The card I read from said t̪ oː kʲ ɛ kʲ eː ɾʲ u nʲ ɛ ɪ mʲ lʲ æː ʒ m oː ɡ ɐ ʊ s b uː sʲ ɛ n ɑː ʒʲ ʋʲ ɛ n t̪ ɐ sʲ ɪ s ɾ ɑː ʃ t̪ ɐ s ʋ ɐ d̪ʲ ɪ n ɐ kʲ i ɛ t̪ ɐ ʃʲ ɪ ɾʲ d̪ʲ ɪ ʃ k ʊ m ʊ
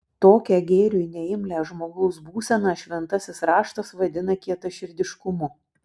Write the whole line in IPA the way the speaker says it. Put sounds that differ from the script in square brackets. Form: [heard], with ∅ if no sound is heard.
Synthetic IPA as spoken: t̪ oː kʲ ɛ [ɡʲ] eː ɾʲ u nʲ ɛ ɪ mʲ lʲ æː ʒ m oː ɡ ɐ ʊ s b uː sʲ ɛ n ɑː [ʃʲ] ʋʲ ɛ n t̪ ɐ sʲ ɪ s ɾ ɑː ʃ t̪ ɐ s ʋ ɐ d̪ʲ ɪ n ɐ kʲ i ɛ t̪ ɐ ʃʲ ɪ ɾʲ d̪ʲ ɪ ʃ k ʊ m ʊ